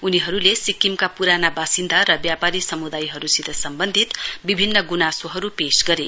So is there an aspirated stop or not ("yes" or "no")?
no